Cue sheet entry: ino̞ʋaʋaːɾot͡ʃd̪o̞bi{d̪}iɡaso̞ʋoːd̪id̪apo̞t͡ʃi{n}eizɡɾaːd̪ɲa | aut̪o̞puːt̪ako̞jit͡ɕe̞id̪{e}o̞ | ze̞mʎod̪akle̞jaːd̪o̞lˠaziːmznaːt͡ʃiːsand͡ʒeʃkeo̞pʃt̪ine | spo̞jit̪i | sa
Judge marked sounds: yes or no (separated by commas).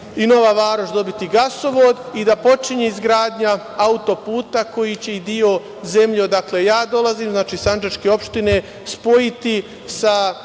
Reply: no, no, no